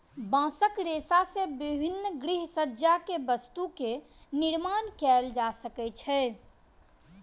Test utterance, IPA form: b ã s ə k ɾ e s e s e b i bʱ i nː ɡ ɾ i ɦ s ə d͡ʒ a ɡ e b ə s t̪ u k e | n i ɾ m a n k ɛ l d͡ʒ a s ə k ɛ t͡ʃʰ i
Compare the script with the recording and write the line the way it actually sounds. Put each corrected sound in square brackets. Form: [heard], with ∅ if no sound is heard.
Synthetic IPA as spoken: b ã s ə k ɾ e s [a] s e b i bʱ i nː ɡ ɾ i ɦ s ə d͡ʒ a [k] e b ə s t̪ u k e | n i ɾ m a n k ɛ l d͡ʒ a s ə k ɛ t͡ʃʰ [ɛ]